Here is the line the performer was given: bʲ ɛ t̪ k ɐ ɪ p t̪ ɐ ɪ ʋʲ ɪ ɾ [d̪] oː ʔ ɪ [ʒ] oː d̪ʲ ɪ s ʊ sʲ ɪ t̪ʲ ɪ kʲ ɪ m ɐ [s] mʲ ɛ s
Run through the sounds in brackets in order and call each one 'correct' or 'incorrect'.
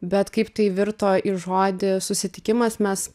incorrect: t̪, correct, correct

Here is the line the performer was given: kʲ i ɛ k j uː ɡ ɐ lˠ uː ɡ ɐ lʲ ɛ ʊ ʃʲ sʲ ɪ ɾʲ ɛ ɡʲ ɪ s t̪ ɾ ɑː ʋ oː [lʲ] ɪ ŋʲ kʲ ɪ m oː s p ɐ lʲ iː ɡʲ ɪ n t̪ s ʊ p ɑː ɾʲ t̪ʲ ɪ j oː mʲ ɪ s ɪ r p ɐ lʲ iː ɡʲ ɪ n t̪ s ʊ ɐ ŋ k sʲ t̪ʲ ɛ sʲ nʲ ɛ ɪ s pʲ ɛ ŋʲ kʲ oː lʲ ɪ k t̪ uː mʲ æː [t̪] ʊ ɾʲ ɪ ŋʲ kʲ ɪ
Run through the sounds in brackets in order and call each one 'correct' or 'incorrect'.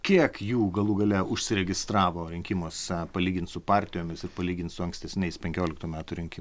incorrect: ɾʲ, correct

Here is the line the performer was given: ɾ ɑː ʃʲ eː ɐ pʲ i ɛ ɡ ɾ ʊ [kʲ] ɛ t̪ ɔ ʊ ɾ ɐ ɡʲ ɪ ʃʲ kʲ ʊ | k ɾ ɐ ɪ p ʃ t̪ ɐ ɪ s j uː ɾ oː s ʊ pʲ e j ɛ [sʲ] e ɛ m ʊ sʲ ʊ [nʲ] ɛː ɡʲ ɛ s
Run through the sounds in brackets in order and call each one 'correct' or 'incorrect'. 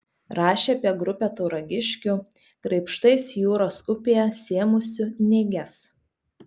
incorrect: pʲ, correct, correct

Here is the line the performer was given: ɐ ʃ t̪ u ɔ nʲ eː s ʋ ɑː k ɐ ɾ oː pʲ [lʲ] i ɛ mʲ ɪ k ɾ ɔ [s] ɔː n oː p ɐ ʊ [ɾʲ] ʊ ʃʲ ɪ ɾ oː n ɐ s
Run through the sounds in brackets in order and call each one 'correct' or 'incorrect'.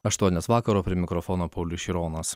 incorrect: ɾʲ, incorrect: f, incorrect: lʲ

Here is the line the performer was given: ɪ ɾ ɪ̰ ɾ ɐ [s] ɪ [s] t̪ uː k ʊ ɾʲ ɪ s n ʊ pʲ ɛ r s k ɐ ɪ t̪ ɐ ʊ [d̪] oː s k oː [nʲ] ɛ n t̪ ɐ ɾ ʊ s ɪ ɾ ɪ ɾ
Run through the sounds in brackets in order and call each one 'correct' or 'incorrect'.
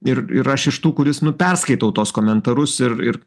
incorrect: ʃ, incorrect: ʃ, incorrect: t̪, incorrect: mʲ

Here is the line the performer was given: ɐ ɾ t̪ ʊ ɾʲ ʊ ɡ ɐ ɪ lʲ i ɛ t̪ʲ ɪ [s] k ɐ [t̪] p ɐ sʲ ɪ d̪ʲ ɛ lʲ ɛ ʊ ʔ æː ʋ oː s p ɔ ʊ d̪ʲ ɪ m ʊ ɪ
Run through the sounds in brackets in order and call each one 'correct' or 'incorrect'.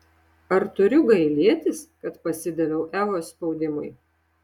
correct, correct

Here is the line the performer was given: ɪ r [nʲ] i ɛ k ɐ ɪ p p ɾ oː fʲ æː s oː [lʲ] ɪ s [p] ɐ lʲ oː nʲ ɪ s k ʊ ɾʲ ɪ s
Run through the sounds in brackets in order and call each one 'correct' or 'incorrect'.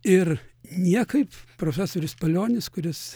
correct, incorrect: ɾʲ, correct

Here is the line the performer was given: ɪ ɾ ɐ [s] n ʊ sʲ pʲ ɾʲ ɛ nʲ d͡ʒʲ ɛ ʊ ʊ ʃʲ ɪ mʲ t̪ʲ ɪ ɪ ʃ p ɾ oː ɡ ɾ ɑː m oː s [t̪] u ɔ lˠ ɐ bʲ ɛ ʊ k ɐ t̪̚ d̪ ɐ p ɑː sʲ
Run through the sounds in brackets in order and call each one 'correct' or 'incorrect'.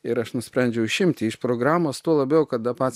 incorrect: ʃ, correct

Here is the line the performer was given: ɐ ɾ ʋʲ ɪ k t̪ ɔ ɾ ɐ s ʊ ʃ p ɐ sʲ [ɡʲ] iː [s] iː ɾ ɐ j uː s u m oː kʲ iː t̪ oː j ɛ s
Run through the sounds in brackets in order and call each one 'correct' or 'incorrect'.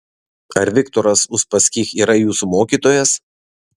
incorrect: kʲ, incorrect: x

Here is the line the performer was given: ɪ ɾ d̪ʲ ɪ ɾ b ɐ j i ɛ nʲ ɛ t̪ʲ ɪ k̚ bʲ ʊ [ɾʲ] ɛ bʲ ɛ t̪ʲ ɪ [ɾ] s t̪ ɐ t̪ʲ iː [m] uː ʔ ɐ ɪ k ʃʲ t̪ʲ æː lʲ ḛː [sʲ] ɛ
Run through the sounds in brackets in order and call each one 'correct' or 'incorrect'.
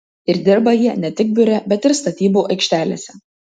correct, correct, incorrect: b, correct

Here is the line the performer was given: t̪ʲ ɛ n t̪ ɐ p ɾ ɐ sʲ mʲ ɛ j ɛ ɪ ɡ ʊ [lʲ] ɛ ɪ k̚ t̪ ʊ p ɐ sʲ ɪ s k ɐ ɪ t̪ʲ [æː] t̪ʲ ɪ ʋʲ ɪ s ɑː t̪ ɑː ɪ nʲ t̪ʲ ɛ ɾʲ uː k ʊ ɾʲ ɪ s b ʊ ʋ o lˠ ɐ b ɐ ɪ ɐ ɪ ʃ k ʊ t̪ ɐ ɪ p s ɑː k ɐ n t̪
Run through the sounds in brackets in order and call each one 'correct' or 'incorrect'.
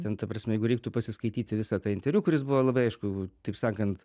incorrect: ɾʲ, incorrect: iː

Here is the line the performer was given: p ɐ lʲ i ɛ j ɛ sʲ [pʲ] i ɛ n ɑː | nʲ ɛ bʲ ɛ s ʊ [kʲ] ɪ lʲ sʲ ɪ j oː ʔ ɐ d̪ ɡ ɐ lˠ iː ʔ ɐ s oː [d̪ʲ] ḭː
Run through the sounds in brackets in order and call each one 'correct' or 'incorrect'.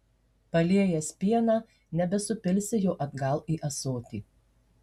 correct, incorrect: pʲ, incorrect: t̪ʲ

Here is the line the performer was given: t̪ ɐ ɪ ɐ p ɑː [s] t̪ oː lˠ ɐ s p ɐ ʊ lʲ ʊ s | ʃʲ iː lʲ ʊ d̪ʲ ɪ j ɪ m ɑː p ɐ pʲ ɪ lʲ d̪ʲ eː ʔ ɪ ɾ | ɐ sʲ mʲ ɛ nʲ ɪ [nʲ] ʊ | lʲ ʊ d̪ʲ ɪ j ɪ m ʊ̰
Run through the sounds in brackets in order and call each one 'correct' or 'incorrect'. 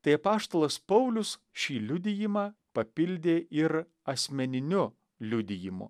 incorrect: ʃ, correct

